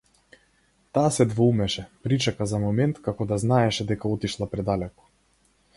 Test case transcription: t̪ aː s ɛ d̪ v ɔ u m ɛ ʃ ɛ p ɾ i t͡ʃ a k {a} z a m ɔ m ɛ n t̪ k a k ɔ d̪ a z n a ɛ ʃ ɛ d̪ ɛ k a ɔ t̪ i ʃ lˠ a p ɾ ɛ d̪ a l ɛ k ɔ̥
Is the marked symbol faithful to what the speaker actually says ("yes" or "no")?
yes